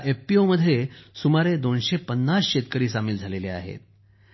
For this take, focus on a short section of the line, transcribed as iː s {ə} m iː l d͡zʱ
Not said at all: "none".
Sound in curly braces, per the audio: a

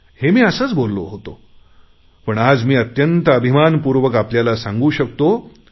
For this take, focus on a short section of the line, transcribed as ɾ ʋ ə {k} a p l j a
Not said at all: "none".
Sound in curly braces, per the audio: k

